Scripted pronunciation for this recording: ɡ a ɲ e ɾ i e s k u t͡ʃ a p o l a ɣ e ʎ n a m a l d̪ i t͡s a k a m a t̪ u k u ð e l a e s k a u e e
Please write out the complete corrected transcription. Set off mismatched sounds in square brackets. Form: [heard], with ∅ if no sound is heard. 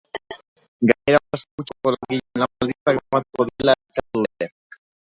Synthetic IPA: ɡ a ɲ e ɾ [a] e s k u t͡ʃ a [k] o l a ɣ [i] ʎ n a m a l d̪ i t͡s a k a m a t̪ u k [o] ð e l a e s k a u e e